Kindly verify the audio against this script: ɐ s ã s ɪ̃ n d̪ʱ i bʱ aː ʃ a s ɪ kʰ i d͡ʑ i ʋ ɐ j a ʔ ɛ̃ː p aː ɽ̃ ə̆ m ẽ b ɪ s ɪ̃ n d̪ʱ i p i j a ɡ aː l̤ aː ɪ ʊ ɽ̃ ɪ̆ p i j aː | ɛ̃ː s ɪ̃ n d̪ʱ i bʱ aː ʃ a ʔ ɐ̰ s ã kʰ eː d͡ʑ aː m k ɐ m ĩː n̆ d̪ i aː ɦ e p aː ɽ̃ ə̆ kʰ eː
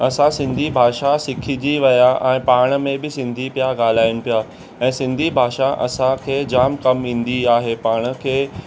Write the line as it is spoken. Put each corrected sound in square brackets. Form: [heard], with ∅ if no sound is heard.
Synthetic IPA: ɐ s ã s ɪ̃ n d̪ʱ i bʱ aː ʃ a s ɪ kʰ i d͡ʑ i ʋ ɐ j a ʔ ɛ̃ː p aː ɽ̃ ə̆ m ẽ b ɪ s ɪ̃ n d̪ʱ i p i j a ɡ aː l̤ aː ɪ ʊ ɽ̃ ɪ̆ p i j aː | ɛ̃ː s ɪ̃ n d̪ʱ i bʱ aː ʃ a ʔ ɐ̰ s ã kʰ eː d͡ʑ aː m k ɐ m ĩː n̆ d̪ i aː ɦ e p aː ɽ̃ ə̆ kʰ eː

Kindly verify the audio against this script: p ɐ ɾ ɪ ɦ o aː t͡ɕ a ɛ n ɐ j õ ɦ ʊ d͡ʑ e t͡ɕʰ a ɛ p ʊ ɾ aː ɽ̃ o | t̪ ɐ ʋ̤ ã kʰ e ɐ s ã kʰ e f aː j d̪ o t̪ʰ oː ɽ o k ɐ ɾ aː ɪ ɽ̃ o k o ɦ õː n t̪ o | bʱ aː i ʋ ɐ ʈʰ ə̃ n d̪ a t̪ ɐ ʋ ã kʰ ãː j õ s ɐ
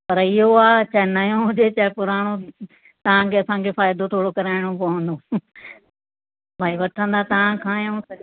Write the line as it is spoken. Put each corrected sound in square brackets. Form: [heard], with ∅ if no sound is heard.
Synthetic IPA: p ɐ ɾ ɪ ɦ o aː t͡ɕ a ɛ n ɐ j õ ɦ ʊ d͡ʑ e [t͡ɕ] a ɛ p ʊ ɾ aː ɽ̃ o | t̪ ɐ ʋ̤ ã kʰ e ɐ s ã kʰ e f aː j d̪ o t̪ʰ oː ɽ o k ɐ ɾ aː ɪ ɽ̃ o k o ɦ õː n [d̪] o | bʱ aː i ʋ ɐ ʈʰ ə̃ n d̪ a t̪ ɐ ʋ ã kʰ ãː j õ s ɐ

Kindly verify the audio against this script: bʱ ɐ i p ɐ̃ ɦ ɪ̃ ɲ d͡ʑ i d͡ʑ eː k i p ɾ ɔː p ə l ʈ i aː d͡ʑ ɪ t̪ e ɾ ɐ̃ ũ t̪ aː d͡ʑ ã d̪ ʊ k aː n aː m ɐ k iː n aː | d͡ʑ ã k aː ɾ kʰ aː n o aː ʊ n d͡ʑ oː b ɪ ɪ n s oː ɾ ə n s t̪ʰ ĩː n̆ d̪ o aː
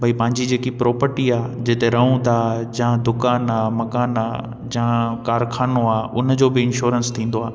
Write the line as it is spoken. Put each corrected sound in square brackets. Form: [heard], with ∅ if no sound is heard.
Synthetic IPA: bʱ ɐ i p ɐ̃ ɦ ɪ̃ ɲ d͡ʑ i d͡ʑ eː k i p ɾ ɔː p ə [ɾ] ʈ i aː d͡ʑ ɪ t̪ e ɾ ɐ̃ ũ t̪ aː d͡ʑ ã d̪ ʊ k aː n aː m ɐ k [aː] n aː | d͡ʑ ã k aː ɾ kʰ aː n o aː ʊ n d͡ʑ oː b ɪ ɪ n [ʃ] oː ɾ ə n s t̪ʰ ĩː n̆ d̪ o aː

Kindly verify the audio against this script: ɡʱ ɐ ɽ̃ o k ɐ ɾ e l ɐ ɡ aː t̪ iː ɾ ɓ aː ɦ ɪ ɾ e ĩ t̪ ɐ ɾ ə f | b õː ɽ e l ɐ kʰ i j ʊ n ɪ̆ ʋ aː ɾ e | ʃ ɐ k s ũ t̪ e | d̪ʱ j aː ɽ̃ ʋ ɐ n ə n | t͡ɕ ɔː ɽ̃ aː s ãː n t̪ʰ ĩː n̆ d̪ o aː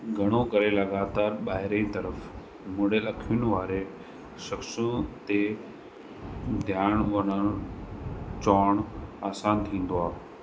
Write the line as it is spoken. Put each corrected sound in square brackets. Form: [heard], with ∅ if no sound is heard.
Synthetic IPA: ɡʱ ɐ ɽ̃ o k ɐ ɾ e l ɐ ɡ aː t̪ [aː] ɾ ɓ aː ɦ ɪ ɾ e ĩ t̪ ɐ ɾ ə f | [m] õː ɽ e l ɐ kʰ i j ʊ n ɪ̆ ʋ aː ɾ e | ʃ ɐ k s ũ t̪ e | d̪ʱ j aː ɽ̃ ʋ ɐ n ə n | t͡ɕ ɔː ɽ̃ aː s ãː n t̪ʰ ĩː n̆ d̪ o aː

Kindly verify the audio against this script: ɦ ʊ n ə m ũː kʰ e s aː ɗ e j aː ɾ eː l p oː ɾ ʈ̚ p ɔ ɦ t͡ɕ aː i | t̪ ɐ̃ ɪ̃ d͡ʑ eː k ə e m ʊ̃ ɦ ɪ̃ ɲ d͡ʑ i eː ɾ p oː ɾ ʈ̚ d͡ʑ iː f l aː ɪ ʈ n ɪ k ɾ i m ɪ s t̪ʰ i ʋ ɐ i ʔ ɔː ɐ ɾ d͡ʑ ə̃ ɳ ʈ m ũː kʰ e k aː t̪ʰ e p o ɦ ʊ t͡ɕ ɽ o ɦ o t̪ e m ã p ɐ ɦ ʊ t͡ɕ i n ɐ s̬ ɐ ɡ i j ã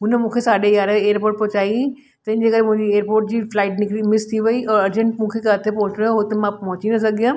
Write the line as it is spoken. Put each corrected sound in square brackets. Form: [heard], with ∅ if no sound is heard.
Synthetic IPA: ɦ ʊ n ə m ũː kʰ e s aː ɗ e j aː ɾ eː [ɾ] p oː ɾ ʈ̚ p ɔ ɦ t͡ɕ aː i | t̪ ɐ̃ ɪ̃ d͡ʑ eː k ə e m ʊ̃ ɦ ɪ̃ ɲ d͡ʑ i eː ɾ p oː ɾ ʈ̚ d͡ʑ iː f l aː ɪ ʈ n ɪ k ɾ i m ɪ s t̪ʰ i ʋ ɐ i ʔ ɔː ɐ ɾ d͡ʑ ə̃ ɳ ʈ m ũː kʰ e k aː t̪ʰ e p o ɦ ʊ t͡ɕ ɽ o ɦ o t̪ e m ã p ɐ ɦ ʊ t͡ɕ i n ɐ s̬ ɐ ɡ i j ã

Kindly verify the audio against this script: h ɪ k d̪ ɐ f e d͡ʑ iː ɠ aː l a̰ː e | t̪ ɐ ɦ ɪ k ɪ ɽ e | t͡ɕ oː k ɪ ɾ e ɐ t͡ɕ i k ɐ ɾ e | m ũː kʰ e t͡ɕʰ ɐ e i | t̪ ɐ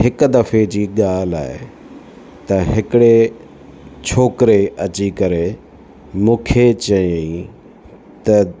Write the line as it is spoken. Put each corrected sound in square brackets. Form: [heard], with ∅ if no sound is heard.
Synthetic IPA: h ɪ k d̪ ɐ f e d͡ʑ iː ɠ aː l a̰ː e | t̪ ɐ ɦ ɪ k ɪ ɽ e | [t͡ɕʰ] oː k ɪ ɾ e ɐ t͡ɕ i k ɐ ɾ e | m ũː kʰ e [t͡ɕ] ɐ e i | t̪ ɐ

